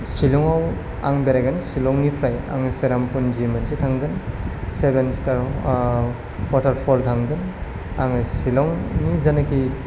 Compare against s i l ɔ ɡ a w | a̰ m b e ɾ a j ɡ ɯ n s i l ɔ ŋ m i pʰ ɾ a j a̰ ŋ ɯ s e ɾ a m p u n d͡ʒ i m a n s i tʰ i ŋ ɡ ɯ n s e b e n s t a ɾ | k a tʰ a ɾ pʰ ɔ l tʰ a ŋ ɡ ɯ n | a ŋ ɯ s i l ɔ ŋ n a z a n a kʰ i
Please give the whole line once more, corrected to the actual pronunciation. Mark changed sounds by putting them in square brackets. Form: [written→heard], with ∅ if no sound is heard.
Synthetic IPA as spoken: s i l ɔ [ɡ→ŋ] a w | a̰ [m→ŋ] b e ɾ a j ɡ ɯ n s i l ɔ ŋ [m→n] i pʰ ɾ a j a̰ ŋ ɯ s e ɾ a m p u n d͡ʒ i m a n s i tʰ [i→a] ŋ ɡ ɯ n s e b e n s t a ɾ | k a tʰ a ɾ pʰ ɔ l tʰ a ŋ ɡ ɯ n | a ŋ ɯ s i l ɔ ŋ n [a→i] z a n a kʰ i